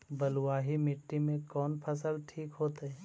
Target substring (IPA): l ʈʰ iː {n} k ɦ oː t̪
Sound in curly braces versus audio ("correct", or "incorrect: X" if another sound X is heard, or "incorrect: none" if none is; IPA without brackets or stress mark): incorrect: none